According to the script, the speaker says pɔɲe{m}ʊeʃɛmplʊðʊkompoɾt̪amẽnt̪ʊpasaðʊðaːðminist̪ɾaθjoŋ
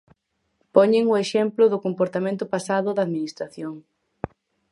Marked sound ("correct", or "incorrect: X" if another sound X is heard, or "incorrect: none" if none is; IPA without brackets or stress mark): incorrect: ŋ